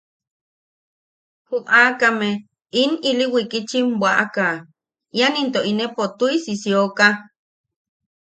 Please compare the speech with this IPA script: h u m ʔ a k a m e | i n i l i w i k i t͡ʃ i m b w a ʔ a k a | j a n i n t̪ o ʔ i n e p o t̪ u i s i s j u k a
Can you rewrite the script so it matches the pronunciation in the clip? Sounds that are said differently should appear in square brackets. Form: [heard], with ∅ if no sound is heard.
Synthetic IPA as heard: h u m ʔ a k a m e | i n i l i w i k i t͡ʃ i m b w a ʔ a k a | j a n i n t̪ o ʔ i n e p o t̪ u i s i s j [o] k a

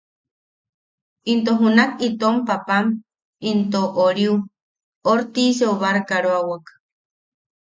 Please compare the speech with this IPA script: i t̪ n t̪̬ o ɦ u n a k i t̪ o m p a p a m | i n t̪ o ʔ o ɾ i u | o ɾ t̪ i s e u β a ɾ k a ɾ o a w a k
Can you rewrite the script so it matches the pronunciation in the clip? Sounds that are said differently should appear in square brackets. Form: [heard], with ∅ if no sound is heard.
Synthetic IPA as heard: i [∅] n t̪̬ o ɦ u n a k i t̪ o m p a p a m | i n t̪ o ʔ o ɾ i u | o ɾ t̪ i s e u β a ɾ k a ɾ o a w a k

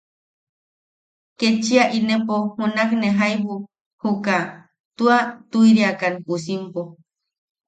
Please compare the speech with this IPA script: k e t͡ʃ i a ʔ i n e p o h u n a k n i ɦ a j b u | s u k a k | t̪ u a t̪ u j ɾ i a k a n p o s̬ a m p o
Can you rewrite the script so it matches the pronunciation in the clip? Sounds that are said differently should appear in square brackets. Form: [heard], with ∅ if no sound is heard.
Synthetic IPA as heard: k e t͡ʃ i a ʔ i n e p o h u n a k n [e] ɦ a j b u | [h] u k a [∅] | t̪ u a t̪ u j ɾ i a k a n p [u] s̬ [i] m p o

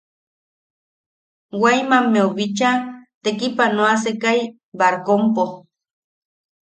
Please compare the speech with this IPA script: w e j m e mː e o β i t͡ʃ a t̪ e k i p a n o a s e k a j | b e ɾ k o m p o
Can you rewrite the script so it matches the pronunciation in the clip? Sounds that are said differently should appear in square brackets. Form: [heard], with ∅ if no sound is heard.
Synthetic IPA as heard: w [a] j m [a] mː e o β i t͡ʃ a t̪ e k i p a n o a s e k a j | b [a] ɾ k o m p o

